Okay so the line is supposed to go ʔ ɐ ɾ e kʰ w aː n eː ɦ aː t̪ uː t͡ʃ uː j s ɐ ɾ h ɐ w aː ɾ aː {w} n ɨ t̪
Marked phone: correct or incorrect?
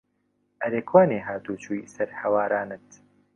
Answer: incorrect